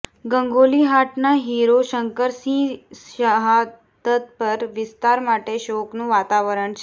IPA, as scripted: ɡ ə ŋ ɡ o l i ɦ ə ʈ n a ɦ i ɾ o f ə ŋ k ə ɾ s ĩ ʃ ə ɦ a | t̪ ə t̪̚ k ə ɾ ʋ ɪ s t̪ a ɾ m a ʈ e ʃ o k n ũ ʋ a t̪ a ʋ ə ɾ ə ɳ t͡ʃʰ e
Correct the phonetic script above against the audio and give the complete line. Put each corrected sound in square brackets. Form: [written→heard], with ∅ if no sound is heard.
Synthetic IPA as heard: ɡ ə ŋ ɡ o l i ɦ [ə→a] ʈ n a ɦ i ɾ o [f→ʃ] ə ŋ k ə ɾ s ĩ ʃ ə ɦ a | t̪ ə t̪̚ [k→p] ə ɾ ʋ ɪ s t̪ a ɾ m a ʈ e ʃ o k n ũ ʋ a t̪ a ʋ ə ɾ ə ɳ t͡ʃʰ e